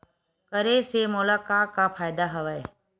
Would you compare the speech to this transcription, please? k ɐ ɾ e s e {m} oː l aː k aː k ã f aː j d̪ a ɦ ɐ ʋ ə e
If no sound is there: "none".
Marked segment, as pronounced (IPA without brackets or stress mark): m